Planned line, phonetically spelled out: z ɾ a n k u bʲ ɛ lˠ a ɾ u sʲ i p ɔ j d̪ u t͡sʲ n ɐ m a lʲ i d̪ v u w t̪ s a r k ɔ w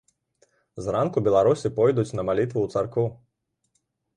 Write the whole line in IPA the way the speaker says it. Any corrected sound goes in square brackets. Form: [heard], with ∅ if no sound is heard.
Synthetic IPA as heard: z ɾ a n k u bʲ ɛ lˠ a ɾ u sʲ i p ɔ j d̪ u t͡sʲ n ɐ m a lʲ i [t̪] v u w t̪ s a r k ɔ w